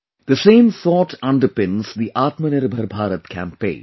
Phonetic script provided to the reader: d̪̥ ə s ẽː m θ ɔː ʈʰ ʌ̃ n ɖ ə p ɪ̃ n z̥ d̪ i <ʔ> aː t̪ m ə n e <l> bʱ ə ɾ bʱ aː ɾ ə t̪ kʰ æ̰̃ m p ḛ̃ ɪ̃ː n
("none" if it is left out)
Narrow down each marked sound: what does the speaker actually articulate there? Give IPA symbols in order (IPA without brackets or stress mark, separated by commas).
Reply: ʔ, ɾ